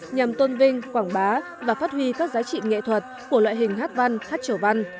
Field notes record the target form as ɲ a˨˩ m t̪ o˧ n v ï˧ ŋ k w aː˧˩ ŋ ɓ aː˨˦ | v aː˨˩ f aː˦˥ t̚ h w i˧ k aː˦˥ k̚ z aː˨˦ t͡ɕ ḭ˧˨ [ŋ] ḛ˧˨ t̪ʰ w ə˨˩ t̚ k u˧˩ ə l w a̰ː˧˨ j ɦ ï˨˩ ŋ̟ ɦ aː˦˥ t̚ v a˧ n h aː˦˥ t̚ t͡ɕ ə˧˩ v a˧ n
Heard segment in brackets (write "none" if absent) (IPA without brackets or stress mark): ŋ